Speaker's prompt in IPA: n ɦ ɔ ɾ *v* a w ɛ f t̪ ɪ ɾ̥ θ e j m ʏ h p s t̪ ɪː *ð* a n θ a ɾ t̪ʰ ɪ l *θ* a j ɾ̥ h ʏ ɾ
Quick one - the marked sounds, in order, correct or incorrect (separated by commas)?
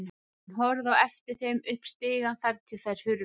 incorrect, incorrect, correct